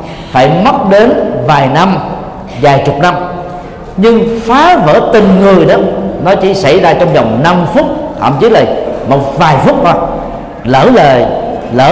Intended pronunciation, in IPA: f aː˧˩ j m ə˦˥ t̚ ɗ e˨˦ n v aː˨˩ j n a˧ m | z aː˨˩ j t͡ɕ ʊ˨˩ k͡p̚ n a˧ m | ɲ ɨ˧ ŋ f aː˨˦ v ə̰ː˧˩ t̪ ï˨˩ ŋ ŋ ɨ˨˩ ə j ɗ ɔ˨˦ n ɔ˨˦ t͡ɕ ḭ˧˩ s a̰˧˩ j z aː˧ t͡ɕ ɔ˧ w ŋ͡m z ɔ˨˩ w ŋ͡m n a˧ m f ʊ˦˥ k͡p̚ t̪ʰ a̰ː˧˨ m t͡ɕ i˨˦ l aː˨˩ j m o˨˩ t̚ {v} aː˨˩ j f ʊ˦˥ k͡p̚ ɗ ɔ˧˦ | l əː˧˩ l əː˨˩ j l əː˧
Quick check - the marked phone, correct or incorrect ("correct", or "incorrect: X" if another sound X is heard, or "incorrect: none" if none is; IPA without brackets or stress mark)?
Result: correct